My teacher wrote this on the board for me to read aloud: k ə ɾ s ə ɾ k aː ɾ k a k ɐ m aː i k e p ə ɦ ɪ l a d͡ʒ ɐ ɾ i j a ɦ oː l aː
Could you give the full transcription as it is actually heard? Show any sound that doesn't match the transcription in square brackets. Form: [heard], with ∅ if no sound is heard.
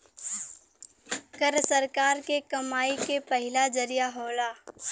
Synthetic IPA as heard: k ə ɾ s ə ɾ k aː ɾ k [e] k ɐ m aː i k e p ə ɦ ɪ l a d͡ʒ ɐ ɾ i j a ɦ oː l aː